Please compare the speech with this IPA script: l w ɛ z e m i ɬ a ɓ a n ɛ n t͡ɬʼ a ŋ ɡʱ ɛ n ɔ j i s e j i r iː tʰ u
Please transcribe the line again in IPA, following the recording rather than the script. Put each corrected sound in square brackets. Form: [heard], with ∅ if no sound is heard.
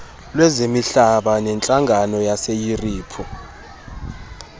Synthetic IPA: l w ɛ z e m i ɬ a ɓ a n ɛ n t͡ɬʼ a ŋ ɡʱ [a] n ɔ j [a] s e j i r iː [pʰ] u